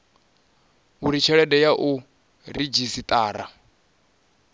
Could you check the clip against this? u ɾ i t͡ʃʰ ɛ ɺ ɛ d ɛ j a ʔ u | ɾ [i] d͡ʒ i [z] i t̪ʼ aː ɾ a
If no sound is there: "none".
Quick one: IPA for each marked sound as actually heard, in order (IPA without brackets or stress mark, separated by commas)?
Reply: i, s